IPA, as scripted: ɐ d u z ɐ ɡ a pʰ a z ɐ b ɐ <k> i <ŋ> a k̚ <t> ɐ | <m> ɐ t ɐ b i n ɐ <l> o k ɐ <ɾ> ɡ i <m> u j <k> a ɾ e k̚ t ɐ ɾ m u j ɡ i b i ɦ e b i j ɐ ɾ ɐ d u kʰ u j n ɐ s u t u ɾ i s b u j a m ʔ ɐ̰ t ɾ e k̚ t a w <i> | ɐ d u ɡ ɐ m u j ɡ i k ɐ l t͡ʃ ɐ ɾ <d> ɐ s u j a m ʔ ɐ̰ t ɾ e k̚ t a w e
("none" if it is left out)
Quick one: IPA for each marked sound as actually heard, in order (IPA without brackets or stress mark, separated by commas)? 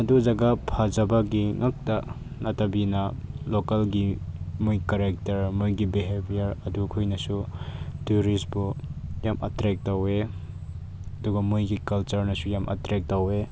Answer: ɡ, ŋ, t, n, l, l, m, k, e, n